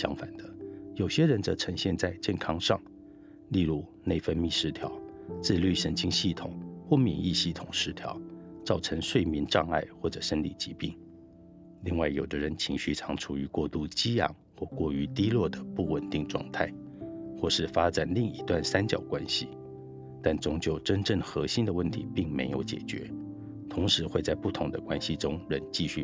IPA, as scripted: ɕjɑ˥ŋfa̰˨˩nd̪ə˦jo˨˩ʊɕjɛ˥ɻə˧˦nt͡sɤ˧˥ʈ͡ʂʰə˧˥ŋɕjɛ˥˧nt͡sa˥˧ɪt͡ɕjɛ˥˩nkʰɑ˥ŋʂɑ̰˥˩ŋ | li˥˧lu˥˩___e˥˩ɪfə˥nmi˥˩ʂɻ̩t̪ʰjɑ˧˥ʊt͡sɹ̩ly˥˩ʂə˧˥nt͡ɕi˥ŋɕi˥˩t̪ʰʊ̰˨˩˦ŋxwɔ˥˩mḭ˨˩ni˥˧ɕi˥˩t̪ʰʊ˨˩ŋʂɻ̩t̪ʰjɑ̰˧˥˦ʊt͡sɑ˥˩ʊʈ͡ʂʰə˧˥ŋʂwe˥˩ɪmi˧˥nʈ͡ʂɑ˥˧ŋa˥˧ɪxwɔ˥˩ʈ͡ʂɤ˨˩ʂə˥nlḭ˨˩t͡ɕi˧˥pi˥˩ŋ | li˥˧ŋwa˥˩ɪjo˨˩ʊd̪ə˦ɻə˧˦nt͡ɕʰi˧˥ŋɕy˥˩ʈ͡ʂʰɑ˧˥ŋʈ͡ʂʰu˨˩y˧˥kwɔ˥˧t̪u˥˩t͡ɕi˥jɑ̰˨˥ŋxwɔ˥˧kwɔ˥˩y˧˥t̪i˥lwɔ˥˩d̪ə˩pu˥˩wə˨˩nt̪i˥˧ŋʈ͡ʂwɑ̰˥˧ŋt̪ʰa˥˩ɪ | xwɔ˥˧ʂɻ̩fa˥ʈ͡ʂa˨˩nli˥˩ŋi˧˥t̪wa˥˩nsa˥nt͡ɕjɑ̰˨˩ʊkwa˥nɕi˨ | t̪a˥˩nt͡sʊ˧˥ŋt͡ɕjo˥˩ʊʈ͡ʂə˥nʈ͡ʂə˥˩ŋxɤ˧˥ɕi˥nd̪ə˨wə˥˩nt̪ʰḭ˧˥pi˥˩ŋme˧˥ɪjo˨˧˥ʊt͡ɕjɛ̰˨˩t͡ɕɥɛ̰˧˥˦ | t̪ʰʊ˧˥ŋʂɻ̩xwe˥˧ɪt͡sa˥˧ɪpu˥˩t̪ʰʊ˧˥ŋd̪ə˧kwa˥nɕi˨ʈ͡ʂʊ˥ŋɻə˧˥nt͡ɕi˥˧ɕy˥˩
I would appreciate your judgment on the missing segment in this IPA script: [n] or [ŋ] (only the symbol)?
n